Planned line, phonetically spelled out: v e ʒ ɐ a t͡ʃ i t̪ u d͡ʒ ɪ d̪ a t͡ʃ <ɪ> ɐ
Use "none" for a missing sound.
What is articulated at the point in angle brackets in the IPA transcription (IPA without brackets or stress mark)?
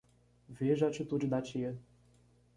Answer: i